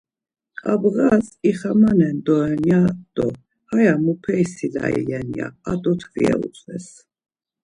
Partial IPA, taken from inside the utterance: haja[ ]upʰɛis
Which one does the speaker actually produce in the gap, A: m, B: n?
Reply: A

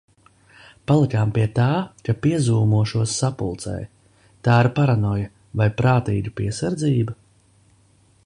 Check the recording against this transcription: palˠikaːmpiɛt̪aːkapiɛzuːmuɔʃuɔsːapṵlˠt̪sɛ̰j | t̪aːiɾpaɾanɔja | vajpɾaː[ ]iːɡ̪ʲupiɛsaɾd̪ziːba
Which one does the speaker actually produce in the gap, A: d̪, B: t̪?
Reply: B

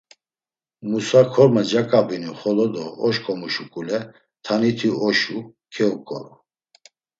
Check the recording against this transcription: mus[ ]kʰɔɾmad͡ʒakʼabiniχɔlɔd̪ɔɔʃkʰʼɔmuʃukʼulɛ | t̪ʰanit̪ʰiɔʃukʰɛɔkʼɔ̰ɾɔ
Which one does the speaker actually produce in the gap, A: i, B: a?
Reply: B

